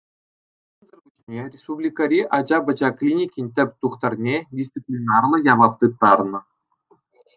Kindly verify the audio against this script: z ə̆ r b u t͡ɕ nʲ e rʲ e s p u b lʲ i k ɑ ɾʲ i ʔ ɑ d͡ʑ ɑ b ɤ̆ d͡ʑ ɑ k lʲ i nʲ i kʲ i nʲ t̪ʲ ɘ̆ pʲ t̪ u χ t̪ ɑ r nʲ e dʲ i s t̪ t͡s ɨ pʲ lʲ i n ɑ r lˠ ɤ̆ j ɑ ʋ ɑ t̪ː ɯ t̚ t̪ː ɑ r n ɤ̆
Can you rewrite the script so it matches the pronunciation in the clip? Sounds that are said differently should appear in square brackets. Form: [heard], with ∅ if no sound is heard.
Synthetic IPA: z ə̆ r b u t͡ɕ nʲ e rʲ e s p u b lʲ i k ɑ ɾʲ i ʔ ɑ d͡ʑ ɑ b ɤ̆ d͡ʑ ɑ k lʲ i nʲ i kʲ i nʲ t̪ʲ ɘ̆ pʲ t̪ u χ t̪ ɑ r nʲ e dʲ i s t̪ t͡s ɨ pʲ lʲ i n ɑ r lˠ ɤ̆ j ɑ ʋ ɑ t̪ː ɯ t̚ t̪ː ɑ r n ɤ̆

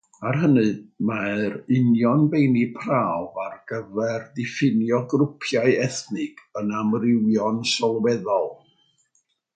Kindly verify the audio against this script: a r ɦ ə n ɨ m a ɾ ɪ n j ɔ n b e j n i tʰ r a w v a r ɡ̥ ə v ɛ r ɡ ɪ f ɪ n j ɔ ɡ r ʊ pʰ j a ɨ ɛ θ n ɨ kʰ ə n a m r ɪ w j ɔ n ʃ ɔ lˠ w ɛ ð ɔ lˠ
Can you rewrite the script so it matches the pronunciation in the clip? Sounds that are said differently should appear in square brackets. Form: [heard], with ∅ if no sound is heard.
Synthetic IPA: a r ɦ ə n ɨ m a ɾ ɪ n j ɔ n b e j n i [pʰ] r a w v a r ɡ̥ ə v ɛ r [d] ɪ f ɪ n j ɔ ɡ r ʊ pʰ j a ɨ ɛ θ n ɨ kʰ ə n a m r ɪ w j ɔ n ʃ ɔ lˠ w ɛ ð ɔ lˠ

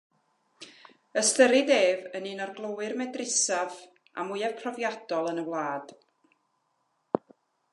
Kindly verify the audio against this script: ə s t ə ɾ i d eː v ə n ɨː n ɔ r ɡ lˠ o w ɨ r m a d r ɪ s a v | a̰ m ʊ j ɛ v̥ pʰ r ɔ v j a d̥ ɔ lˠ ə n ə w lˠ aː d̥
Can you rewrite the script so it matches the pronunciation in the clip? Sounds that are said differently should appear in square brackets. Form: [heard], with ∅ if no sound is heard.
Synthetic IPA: ə s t ə ɾ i d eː v ə n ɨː n ɔ r ɡ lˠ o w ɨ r m [ɛ] d r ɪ s a v | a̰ m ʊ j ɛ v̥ pʰ r ɔ v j a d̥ ɔ lˠ ə n ə w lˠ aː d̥

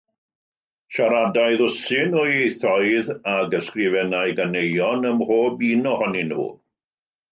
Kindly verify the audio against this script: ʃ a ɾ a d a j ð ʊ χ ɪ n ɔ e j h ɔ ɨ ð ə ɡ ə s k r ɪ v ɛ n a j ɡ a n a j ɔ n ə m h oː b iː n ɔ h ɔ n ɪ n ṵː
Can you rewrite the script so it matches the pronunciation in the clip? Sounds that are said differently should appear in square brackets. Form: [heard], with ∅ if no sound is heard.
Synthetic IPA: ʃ a ɾ a d a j ð ʊ [s] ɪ n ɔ e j [θ] ɔ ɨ ð [a] ɡ ə s k r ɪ v ɛ n a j ɡ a n [e] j ɔ n ə m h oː b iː n ɔ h ɔ n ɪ n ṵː

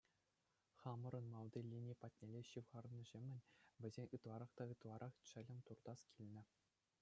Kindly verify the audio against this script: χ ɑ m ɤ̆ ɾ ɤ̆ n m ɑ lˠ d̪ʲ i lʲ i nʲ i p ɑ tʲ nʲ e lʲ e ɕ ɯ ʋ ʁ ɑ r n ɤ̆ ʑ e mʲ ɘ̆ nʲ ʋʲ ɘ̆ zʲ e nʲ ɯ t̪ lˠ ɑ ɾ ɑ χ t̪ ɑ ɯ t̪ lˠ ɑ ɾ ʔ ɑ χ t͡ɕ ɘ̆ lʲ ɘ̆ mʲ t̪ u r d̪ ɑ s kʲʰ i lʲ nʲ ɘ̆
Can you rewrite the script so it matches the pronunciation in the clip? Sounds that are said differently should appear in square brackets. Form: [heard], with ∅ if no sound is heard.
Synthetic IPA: χ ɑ m ɤ̆ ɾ ɤ̆ n m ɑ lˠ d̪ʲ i lʲ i nʲ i p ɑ tʲ nʲ e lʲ e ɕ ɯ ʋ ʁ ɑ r n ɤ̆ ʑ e mʲ ɘ̆ nʲ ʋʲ ɘ̆ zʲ e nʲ ɯ t̪ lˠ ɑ ɾ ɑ χ t̪ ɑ ɯ t̪ lˠ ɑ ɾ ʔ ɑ χ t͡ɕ ɘ̆ lʲ ɘ̆ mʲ t̪ u r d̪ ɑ s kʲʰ i lʲ nʲ ɘ̆

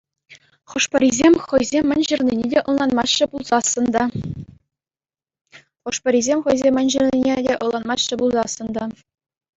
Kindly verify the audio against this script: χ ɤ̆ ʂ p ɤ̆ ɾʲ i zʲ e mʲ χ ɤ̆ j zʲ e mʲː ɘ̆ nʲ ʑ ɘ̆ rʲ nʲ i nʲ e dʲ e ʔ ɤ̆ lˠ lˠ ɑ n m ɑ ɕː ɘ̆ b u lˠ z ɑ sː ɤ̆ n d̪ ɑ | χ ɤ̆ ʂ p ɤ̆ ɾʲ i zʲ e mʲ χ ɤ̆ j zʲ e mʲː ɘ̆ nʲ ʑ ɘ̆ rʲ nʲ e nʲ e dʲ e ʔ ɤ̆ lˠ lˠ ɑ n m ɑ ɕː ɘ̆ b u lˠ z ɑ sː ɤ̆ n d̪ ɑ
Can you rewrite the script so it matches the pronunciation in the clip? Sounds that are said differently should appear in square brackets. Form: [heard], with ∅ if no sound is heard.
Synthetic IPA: χ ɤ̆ ʂ p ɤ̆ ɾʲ i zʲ e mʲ χ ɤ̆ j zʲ e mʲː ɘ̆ nʲ ʑ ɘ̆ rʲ nʲ i nʲ e dʲ e ʔ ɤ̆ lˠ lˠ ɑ n m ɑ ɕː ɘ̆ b u lˠ z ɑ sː ɤ̆ n d̪ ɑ | χ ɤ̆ ʂ p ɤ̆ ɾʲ i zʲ e mʲ χ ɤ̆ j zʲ e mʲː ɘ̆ nʲ ʑ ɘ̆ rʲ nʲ [i] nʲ e dʲ e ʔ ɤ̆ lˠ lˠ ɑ n m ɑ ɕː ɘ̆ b u lˠ z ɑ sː ɤ̆ n d̪ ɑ

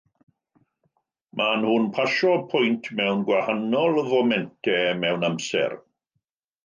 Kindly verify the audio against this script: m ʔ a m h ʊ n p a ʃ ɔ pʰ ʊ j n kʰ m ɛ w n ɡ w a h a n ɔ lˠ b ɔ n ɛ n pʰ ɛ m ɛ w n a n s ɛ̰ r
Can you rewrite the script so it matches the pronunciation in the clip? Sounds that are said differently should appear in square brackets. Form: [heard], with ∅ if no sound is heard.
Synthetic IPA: m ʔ a [n] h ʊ n [pʰ] a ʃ ɔ pʰ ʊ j n [tʰ] m ɛ w n ɡ w a h a n ɔ lˠ [v] ɔ [m] ɛ n [tʰ] ɛ m ɛ w n a [m] s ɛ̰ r

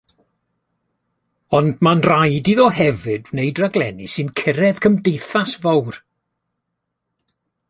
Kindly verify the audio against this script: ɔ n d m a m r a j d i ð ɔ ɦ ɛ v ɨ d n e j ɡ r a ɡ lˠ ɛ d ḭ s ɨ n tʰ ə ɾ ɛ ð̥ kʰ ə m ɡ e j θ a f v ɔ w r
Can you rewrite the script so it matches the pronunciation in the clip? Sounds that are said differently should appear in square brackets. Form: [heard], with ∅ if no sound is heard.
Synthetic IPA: ɔ n d m a [n] r a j d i ð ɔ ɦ ɛ v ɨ d n e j [d] r a ɡ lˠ ɛ [n] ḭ s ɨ n [kʰ] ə ɾ ɛ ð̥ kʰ ə m [d] e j θ a [s] v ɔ w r

